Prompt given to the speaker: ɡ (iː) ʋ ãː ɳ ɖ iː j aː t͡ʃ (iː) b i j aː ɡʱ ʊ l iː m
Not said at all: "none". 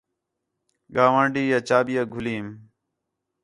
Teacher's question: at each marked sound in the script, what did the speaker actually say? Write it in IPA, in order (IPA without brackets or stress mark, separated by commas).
aː, aː